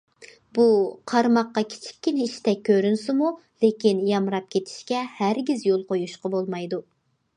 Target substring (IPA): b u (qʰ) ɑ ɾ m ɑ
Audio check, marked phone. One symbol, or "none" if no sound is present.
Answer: qʰ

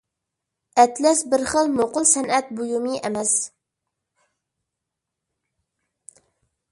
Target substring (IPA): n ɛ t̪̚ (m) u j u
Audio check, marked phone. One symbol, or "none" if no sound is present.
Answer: b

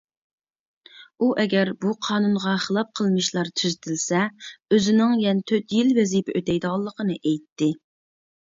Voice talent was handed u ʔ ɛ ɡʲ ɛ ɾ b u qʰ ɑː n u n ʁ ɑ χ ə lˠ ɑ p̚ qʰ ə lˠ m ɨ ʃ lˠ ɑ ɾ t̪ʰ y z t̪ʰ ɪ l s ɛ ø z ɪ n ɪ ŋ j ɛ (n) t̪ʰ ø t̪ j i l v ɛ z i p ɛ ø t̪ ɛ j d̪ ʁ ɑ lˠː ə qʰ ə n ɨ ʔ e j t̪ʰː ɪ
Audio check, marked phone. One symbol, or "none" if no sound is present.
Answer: n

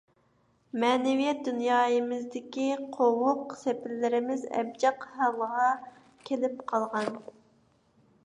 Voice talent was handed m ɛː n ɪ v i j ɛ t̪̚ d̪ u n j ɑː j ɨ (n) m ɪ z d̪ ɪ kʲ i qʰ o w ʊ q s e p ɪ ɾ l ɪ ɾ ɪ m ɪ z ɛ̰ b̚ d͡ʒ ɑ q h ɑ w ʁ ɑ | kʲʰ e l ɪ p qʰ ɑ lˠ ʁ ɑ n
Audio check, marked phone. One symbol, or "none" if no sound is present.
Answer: none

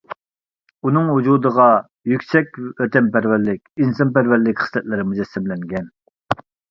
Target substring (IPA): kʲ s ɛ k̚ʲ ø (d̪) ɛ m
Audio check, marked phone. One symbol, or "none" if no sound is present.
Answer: t̪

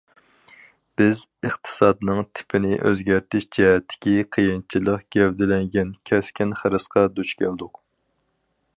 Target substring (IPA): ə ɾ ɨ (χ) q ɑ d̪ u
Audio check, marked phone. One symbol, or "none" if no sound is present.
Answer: s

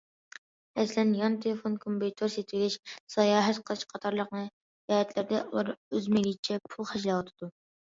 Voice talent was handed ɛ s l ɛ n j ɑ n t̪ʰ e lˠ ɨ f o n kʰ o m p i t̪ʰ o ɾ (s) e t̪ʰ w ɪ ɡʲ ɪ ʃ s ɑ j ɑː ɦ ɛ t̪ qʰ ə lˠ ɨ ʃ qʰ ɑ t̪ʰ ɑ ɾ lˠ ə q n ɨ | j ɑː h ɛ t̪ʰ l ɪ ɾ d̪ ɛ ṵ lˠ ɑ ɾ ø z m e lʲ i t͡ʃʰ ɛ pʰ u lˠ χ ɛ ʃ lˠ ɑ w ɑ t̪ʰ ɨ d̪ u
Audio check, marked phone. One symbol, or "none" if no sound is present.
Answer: s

